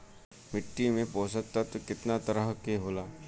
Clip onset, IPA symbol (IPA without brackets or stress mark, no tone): m